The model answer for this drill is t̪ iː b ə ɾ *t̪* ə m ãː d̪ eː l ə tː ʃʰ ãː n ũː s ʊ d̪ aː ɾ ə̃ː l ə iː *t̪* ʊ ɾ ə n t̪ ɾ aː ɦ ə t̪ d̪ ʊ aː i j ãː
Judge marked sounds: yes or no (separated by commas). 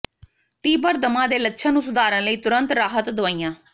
no, yes